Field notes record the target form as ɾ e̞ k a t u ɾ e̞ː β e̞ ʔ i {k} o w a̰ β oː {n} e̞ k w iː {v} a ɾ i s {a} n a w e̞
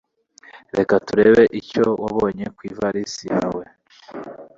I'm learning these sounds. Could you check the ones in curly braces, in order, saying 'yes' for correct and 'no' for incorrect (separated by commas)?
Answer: no, no, yes, no